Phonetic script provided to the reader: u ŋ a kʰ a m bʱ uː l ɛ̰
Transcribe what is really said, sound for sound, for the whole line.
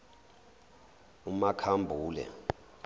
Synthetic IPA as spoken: u m a kʰ a m bʱ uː l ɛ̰